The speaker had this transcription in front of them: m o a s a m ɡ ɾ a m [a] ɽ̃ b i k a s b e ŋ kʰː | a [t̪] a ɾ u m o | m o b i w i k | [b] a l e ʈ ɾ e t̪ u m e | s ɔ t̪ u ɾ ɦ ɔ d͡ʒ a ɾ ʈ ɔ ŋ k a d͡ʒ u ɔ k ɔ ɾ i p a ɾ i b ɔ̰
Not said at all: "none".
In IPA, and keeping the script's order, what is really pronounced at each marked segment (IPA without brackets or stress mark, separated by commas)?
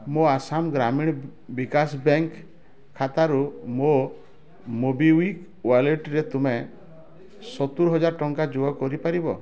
i, t̪, w